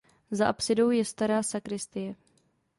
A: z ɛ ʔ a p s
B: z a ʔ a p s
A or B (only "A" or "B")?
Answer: B